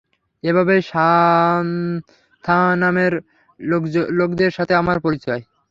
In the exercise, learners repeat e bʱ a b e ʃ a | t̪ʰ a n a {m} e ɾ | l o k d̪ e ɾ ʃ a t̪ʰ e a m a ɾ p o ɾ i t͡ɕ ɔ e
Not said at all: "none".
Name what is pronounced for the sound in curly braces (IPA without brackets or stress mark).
m